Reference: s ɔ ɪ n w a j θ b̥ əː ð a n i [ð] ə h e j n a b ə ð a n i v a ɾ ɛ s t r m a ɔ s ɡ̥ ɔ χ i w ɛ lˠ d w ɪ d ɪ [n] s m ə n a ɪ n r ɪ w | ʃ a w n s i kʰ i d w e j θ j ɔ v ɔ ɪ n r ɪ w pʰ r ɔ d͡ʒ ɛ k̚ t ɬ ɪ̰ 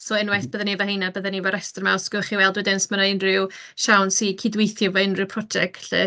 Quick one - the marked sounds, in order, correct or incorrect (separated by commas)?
incorrect, correct